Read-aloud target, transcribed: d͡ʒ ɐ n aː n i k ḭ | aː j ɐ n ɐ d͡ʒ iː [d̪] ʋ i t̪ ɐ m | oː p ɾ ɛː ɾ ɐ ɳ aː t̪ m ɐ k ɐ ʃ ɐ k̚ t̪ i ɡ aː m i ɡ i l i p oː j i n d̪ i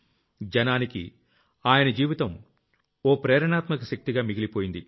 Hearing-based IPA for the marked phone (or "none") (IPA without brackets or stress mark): none